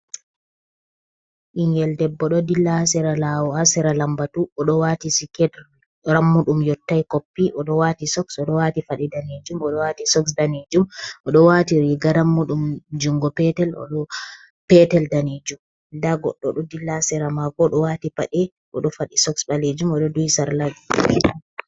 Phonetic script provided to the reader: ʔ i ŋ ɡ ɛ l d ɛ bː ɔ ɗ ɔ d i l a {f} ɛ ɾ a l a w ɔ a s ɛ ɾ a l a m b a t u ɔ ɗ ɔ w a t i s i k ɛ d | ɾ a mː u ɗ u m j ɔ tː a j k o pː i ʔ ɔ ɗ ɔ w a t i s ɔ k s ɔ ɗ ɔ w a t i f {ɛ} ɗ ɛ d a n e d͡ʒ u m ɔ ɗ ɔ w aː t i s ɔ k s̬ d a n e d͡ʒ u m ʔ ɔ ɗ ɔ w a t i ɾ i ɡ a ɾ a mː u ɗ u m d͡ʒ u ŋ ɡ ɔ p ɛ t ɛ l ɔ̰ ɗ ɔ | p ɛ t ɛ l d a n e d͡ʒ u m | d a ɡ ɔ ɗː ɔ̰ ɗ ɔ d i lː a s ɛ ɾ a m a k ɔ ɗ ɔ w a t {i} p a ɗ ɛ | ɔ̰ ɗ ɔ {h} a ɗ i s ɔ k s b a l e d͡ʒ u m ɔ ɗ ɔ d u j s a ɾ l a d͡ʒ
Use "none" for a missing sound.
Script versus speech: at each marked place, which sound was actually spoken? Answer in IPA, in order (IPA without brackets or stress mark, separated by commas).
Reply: s, a, i, f